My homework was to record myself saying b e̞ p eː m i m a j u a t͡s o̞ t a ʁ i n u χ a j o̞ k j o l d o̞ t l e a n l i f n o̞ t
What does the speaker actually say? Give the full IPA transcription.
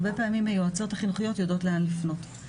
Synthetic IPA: b e̞ p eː m i m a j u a t͡s o̞ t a χ i n u χ i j o̞ t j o d o̞ t l e a n l i f n o̞ t